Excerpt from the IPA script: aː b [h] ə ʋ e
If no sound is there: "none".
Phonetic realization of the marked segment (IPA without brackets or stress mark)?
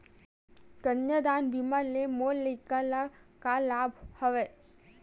h